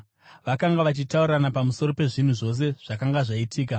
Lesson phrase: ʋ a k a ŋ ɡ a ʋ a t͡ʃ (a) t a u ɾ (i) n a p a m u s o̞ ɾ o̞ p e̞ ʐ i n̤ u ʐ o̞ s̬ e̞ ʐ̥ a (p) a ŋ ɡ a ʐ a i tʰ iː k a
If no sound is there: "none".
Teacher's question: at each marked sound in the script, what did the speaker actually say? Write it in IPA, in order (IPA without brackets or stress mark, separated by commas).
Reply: i, a, k